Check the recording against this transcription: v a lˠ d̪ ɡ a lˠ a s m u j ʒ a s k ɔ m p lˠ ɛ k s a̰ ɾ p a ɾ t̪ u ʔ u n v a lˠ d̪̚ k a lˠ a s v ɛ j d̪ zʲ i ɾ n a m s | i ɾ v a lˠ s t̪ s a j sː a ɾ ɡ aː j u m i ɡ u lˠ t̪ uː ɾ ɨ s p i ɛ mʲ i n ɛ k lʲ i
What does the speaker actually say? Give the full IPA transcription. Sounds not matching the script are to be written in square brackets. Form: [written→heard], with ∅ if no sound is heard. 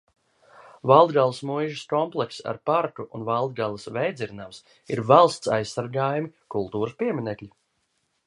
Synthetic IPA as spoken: v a lˠ d̪ ɡ a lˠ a s m u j ʒ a s k ɔ m p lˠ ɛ k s a̰ ɾ p a ɾ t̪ u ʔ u n v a lˠ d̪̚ [k→ɡ] a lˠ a s v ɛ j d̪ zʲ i ɾ n a m s | i ɾ v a lˠ s t̪ s a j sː a ɾ ɡ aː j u m i [ɡ→k] u lˠ t̪ uː ɾ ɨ s p i ɛ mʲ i n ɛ k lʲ i